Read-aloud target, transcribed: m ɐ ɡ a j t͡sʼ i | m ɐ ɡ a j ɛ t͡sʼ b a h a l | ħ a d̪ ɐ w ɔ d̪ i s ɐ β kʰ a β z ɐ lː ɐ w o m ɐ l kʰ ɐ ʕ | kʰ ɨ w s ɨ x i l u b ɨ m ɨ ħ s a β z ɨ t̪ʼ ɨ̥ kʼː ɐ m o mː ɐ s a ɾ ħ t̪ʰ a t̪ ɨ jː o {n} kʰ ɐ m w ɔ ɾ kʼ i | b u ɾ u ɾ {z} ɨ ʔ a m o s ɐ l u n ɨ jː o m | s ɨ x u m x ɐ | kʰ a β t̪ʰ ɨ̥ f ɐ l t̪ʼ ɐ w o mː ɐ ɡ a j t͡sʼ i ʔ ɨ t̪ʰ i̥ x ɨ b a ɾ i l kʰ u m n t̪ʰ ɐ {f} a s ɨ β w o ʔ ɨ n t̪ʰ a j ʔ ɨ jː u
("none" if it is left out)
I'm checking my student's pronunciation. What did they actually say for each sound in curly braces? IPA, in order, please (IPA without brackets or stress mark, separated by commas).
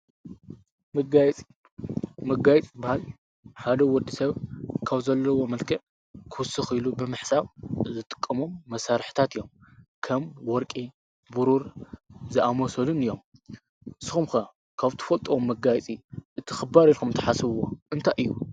m, z, ħ